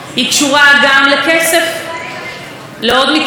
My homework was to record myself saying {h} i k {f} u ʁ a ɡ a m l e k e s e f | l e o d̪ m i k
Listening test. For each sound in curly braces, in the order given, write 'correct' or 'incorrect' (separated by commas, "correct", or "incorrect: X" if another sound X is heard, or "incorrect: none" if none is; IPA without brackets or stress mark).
correct, incorrect: ʃ